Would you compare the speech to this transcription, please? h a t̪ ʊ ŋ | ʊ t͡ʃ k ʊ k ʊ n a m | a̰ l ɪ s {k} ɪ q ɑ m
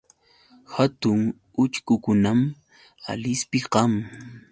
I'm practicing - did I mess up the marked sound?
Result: yes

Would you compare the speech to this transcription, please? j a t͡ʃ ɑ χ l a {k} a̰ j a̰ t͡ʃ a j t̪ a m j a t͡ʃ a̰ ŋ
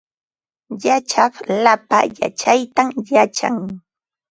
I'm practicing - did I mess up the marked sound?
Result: yes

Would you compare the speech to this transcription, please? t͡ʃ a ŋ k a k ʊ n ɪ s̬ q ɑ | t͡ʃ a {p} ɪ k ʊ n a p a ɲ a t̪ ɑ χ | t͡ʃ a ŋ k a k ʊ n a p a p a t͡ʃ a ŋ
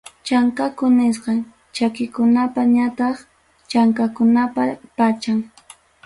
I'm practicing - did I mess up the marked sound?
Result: yes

